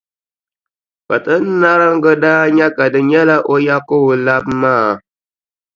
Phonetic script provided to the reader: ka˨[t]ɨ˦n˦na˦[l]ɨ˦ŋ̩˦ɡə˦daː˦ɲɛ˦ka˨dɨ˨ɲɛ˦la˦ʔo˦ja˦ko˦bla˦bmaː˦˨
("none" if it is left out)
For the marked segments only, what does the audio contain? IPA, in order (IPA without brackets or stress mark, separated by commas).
t, ɾ